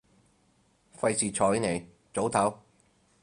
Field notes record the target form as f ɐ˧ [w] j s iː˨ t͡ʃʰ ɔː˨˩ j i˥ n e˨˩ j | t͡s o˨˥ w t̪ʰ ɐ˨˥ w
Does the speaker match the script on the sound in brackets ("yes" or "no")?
no